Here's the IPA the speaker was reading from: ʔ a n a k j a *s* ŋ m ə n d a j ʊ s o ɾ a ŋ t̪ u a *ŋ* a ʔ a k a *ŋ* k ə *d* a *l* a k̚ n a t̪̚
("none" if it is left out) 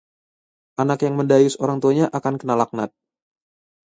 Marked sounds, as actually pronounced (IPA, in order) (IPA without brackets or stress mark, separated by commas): none, ɲ, n, n, l